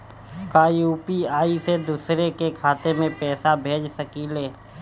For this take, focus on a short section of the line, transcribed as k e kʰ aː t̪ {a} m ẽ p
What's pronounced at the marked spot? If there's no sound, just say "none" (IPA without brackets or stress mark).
e